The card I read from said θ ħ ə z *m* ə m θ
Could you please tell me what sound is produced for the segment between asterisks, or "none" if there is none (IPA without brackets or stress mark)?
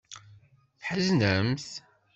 n